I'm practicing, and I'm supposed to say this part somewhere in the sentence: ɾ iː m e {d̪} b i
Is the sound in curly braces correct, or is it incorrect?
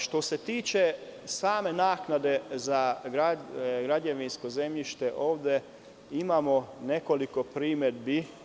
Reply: correct